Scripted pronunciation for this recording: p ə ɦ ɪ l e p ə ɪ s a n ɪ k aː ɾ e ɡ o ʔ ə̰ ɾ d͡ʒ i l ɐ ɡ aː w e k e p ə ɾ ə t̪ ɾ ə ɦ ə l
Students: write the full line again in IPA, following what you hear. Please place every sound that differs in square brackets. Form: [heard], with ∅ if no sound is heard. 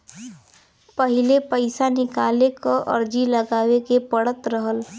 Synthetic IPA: p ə ɦ ɪ l e p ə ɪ s a n ɪ k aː [l] e [k] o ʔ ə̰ ɾ d͡ʒ i l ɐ ɡ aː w e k e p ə [ɽ] ə t̪ ɾ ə ɦ ə l